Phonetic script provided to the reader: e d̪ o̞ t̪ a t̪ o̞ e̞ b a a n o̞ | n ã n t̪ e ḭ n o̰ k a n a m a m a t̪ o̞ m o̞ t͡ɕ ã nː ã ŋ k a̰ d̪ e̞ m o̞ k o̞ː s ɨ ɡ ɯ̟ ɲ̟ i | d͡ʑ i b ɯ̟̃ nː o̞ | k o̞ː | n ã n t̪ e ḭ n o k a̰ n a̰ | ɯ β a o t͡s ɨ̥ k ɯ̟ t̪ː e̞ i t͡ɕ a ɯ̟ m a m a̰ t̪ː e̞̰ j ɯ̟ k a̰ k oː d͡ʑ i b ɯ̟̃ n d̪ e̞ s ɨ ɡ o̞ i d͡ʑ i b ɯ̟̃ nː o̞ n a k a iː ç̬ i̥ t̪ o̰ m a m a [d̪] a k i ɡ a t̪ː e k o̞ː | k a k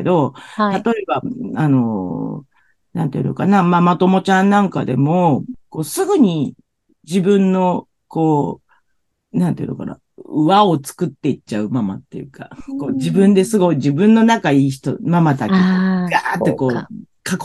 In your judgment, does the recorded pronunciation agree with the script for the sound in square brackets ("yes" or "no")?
no